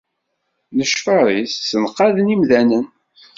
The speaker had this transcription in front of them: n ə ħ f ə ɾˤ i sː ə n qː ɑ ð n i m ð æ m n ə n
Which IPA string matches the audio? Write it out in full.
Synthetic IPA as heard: n ə ʃ f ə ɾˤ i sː ə n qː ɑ ð n i m ð æ n ə n